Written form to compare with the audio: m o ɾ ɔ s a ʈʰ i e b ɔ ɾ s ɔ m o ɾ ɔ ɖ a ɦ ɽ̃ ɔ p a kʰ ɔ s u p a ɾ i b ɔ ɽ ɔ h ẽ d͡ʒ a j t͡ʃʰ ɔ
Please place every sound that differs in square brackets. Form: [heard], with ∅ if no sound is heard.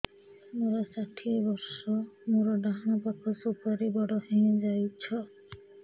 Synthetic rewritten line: m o ɾ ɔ s a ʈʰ i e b ɔ ɾ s ɔ m o ɾ ɔ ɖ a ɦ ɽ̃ ɔ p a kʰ ɔ s u p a ɾ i b ɔ ɽ ɔ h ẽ d͡ʒ a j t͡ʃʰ ɔ